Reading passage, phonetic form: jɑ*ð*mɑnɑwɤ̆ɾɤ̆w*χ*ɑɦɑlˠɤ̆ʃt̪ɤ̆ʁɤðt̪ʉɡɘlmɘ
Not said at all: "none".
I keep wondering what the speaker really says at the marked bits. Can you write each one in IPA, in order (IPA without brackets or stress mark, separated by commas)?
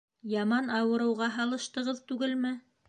none, ʁ